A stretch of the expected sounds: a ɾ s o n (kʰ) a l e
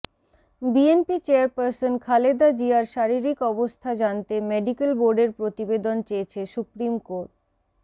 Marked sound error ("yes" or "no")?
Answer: no